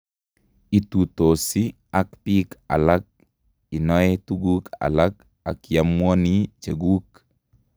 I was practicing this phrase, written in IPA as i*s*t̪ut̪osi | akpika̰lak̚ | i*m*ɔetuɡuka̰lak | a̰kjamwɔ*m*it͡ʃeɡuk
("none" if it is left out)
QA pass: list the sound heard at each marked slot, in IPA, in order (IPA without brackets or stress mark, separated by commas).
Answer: none, n, n